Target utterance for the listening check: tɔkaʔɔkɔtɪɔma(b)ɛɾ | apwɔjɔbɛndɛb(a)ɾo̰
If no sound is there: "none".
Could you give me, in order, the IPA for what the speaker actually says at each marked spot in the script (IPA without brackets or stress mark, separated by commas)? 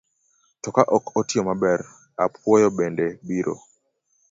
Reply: b, i